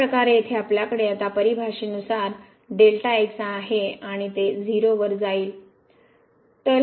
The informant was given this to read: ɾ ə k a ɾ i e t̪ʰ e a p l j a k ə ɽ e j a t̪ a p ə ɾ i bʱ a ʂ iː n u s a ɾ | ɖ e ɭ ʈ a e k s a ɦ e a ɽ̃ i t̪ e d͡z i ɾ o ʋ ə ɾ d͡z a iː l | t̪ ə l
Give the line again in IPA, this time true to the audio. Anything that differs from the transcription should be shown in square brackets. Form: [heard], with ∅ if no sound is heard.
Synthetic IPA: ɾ ə k a ɾ [e] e t̪ʰ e a p l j a k ə ɽ e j a t̪ a p ə ɾ i bʱ a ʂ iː n u s a ɾ | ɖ e [l] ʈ a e k s a ɦ e a ɽ̃ i t̪ e d͡z i ɾ o ʋ ə ɾ d͡z a iː l | t̪ ə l